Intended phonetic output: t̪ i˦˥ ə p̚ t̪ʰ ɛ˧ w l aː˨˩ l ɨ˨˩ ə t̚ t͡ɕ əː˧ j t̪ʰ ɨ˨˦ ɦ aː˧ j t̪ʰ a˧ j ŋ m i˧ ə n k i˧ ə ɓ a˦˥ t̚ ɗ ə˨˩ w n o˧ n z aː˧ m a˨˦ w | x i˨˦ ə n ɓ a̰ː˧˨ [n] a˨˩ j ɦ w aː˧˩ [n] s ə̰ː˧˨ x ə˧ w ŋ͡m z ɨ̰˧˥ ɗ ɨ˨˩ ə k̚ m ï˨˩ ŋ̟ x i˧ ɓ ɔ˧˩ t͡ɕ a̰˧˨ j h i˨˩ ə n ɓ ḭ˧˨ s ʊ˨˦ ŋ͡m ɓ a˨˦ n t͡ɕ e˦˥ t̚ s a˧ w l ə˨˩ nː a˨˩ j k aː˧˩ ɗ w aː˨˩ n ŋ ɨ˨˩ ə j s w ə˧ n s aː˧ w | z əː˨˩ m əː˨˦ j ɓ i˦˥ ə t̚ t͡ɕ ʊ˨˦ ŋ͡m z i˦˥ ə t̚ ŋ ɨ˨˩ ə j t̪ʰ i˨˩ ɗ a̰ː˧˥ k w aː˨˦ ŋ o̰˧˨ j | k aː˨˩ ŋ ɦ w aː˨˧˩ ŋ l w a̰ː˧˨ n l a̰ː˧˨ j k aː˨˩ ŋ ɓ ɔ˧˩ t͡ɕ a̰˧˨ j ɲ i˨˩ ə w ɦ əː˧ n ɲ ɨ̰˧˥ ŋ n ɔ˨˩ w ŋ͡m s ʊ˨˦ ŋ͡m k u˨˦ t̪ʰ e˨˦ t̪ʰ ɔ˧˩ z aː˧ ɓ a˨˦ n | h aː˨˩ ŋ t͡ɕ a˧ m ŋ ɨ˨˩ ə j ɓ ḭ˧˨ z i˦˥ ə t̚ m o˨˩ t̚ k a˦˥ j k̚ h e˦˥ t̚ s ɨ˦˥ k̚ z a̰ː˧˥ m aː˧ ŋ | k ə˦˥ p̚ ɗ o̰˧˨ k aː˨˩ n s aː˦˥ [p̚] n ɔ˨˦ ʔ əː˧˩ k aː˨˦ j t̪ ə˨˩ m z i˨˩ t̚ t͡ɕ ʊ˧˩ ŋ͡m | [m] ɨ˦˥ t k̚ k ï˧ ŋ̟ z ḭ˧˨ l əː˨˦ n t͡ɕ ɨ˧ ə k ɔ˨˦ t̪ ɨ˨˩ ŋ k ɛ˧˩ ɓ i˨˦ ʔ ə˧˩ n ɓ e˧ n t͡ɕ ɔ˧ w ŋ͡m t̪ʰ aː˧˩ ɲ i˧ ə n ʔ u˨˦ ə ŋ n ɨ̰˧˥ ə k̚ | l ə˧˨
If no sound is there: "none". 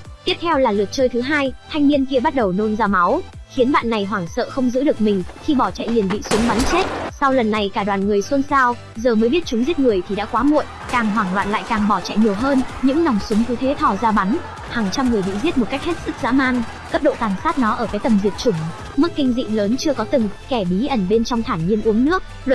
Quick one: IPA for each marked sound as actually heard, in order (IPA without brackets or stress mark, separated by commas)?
nː, ŋ, t̚, m